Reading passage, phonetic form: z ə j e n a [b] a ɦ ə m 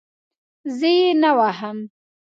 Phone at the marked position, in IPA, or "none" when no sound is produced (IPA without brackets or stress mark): w